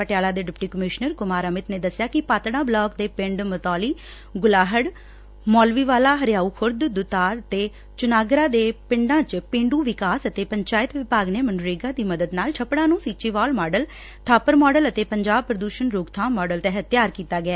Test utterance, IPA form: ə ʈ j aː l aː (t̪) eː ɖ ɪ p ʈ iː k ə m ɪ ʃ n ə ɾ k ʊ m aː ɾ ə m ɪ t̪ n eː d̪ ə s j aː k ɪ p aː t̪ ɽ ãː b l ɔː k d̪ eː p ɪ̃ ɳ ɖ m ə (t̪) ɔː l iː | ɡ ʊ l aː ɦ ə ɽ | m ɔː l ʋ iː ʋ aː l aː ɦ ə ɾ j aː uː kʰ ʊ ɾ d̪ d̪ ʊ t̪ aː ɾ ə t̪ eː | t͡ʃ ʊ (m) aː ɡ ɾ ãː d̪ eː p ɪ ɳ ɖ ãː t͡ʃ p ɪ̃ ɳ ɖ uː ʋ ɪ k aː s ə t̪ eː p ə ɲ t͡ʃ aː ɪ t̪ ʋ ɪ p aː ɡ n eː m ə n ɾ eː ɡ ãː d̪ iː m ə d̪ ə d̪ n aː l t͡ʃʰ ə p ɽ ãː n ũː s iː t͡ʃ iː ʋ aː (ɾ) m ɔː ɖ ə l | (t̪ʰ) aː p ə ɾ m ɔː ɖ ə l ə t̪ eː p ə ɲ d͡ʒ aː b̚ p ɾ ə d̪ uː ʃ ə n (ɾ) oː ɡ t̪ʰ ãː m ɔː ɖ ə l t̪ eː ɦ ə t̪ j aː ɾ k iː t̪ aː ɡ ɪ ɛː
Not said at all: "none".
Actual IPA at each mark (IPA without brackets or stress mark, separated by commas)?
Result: d̪, t̪, n, l, t̪ʰ, ɾ